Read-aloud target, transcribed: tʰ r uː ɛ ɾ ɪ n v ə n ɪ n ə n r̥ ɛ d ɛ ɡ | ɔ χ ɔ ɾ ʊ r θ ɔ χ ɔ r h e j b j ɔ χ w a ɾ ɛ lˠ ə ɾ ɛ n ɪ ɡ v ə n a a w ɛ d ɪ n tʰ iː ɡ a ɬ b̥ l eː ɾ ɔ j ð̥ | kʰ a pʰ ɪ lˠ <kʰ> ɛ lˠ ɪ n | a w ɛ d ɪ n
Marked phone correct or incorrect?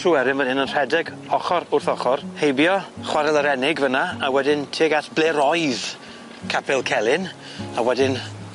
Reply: correct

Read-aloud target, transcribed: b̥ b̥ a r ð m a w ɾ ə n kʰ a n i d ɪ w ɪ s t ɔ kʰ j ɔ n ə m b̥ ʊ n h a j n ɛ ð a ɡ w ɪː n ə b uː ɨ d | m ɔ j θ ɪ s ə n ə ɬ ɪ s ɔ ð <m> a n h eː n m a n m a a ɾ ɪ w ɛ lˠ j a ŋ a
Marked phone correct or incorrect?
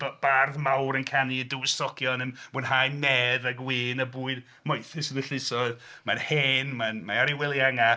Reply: correct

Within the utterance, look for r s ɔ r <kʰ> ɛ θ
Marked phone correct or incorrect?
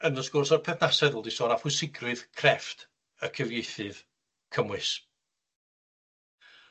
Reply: incorrect: pʰ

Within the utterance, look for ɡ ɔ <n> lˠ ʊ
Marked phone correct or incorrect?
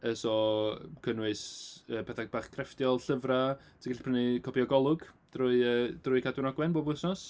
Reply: incorrect: none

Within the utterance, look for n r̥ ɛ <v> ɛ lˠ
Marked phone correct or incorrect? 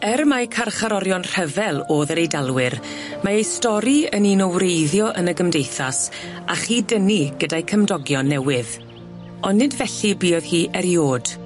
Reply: correct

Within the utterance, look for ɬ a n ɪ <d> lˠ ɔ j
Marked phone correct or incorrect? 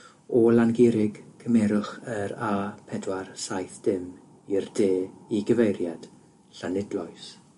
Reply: correct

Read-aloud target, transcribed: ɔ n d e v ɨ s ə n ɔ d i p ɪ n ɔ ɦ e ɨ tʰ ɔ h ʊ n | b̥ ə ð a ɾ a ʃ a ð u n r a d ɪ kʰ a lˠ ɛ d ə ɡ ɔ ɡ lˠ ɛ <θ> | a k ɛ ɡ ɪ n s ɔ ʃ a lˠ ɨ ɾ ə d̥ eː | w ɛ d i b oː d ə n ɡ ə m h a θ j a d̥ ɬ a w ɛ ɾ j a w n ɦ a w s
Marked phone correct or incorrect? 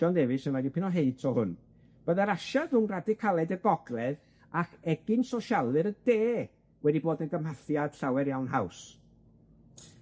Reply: incorrect: ð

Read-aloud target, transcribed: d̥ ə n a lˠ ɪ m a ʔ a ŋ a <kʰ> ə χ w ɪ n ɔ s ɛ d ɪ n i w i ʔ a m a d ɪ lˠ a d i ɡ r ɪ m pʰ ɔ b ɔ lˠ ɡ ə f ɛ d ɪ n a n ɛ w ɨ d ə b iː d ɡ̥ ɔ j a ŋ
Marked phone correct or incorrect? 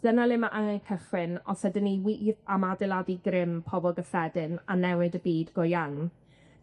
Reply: correct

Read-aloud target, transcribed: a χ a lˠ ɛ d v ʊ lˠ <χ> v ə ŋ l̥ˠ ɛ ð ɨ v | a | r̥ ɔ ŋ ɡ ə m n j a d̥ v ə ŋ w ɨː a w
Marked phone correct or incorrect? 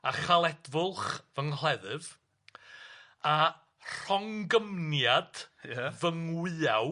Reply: correct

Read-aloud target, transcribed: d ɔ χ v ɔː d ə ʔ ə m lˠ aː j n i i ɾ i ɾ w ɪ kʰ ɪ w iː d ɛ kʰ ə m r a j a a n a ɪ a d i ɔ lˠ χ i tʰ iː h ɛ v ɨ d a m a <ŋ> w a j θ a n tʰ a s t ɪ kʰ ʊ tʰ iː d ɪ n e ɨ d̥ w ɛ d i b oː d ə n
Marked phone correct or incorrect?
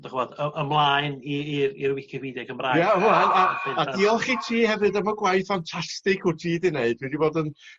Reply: incorrect: ɡ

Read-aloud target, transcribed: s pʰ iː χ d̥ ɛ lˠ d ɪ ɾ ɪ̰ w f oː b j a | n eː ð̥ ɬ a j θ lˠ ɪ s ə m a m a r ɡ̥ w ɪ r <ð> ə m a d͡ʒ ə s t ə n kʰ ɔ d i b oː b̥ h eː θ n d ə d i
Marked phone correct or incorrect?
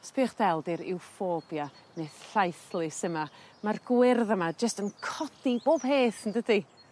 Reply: correct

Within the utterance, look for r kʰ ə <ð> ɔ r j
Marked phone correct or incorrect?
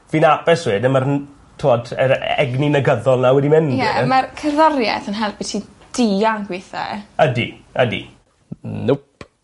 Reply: correct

